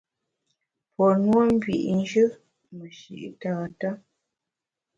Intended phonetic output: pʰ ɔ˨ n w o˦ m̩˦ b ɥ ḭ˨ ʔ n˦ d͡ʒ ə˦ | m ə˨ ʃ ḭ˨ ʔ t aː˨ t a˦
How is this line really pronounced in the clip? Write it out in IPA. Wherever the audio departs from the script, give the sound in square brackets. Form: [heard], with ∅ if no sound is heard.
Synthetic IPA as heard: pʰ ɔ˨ n w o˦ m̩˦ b ɥ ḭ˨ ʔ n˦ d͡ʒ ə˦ | m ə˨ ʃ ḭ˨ ʔ t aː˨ t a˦